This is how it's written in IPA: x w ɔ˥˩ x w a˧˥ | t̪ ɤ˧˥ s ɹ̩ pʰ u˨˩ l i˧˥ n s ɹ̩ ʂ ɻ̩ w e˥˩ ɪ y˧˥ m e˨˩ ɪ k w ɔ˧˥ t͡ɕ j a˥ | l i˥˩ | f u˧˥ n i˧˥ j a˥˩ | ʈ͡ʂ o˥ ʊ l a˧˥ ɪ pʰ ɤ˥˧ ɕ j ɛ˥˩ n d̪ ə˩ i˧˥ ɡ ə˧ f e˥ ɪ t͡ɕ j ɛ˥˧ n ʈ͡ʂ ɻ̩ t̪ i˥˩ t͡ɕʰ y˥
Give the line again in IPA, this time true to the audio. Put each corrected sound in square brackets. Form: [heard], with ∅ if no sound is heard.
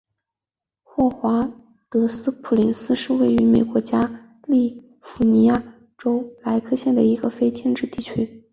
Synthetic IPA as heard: x w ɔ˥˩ x w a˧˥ | t̪ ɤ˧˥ s ɹ̩ pʰ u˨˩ l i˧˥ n s ɹ̩ ʂ ɻ̩ w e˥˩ ɪ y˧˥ m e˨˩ ɪ k w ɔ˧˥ t͡ɕ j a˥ | l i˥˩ | f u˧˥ n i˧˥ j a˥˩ | ʈ͡ʂ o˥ ʊ l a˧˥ ɪ [kʰ] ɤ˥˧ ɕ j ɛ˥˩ n d̪ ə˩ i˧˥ ɡ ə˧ f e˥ ɪ t͡ɕ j ɛ˥˧ n ʈ͡ʂ ɻ̩ t̪ i˥˩ t͡ɕʰ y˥